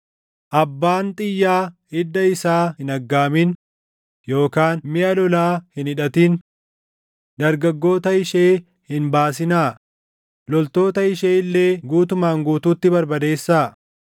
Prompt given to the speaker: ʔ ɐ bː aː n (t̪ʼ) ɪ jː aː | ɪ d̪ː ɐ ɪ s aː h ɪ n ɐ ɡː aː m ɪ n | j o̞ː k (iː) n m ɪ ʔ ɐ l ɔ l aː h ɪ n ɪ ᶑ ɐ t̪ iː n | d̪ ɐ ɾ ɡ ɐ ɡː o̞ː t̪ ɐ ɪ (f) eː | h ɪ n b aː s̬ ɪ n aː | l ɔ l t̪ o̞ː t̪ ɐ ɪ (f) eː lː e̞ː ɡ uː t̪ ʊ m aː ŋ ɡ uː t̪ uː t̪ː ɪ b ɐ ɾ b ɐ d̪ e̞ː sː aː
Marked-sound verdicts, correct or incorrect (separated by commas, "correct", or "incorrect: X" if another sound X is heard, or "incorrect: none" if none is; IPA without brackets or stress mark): correct, incorrect: aː, incorrect: ʃ, incorrect: ʃ